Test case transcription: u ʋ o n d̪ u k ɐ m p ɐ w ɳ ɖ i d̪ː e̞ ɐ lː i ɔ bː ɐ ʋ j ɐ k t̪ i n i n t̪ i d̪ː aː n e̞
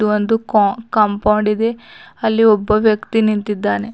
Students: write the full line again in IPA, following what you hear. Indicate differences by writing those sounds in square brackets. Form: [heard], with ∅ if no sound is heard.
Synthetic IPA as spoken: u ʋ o n d̪ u k ɐ m p ɐ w ɳ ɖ i [d̪] e̞ ɐ lː i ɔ bː ɐ ʋ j ɐ k t̪ i n i n t̪ i d̪ː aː n e̞

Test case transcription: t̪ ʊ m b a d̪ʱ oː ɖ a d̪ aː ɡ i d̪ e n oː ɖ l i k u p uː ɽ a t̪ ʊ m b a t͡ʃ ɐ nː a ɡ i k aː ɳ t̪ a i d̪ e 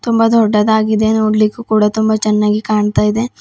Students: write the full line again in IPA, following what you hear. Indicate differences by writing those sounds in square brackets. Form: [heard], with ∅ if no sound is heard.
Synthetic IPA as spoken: t̪ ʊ m b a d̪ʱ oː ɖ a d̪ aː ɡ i d̪ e n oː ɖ l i k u [k] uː ɽ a t̪ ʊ m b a t͡ʃ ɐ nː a ɡ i k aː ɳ t̪ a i d̪ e

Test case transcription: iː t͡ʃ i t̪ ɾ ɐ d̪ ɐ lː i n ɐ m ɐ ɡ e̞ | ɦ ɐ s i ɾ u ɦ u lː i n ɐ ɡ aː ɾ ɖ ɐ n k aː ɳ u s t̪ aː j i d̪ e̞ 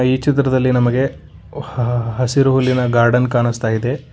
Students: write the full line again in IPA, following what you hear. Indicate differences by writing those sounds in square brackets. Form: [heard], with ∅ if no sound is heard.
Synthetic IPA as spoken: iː t͡ʃ i t̪ ɾ ɐ d̪ ɐ lː i n ɐ m ɐ ɡ e̞ | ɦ ɐ s i ɾ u ɦ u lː i n ɐ ɡ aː ɾ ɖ ɐ n k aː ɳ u s t̪ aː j i d̪ e̞

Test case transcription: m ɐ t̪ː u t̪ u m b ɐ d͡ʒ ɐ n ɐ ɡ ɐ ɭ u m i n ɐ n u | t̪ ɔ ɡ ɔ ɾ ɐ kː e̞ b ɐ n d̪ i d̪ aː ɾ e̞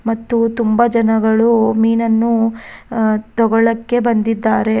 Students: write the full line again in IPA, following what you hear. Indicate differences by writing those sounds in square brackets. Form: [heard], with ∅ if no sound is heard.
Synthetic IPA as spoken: m ɐ t̪ː u t̪ u m b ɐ d͡ʒ ɐ n ɐ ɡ ɐ ɭ u m [iː] n ɐ [nː] u | t̪ ɔ ɡ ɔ [ɭ] ɐ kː e̞ b ɐ n d̪ i [d̪ː] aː ɾ e̞

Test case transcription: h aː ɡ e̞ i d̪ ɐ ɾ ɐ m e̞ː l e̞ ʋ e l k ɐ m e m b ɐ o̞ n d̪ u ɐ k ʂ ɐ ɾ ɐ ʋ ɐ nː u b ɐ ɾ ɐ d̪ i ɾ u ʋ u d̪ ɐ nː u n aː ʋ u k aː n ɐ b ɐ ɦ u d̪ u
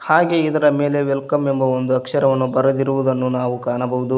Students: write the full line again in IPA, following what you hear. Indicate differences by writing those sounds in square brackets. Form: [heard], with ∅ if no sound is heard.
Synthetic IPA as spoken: h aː ɡ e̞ i d̪ ɐ ɾ ɐ m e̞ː l e̞ ʋ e l k ɐ m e m b ɐ o̞ n d̪ u ɐ k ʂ ɐ ɾ ɐ ʋ ɐ nː u b ɐ ɾ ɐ d̪ i ɾ u ʋ u d̪ ɐ nː u n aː ʋ u k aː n ɐ b ɐ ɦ u d̪ u

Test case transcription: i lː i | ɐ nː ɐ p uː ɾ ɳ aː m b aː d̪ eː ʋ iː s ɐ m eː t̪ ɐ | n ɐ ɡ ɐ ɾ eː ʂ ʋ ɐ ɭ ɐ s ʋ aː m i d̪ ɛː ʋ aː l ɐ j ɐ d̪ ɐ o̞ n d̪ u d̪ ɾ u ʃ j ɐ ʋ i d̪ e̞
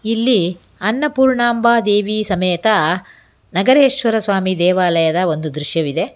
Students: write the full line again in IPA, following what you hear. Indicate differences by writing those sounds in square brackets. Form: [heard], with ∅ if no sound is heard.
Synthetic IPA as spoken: i lː i | ɐ nː ɐ p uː ɾ ɳ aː m b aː d̪ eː ʋ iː s ɐ m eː t̪ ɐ | n ɐ ɡ ɐ ɾ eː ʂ ʋ ɐ [ɾ] ɐ s ʋ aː m i d̪ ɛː ʋ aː l ɐ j ɐ d̪ ɐ o̞ n d̪ u d̪ ɾ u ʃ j ɐ ʋ i d̪ e̞

